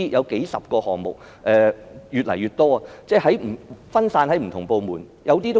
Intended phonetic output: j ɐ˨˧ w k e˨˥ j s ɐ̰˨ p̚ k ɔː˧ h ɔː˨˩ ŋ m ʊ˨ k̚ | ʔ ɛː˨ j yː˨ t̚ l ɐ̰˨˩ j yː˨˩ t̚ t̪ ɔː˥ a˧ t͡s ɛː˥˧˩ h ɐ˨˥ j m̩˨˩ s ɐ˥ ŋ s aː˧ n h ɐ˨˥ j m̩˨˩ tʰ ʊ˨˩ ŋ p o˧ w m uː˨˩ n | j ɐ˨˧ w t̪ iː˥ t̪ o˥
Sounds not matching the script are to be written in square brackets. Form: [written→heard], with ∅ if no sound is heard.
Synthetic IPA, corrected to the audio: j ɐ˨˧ w k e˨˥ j s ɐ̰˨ p̚ k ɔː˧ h ɔː˨˩ ŋ m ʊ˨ k̚ | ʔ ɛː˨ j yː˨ t̚ l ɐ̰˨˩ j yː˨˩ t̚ t̪ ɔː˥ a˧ t͡s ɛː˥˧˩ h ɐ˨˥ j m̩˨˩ [s→f] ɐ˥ [ŋ→n] s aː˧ n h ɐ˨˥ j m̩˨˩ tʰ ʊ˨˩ ŋ p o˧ w m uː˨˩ n | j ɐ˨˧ w t̪ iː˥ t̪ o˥